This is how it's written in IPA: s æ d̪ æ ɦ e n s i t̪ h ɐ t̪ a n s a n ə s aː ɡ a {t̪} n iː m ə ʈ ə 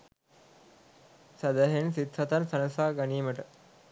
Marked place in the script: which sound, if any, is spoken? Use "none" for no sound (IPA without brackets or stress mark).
none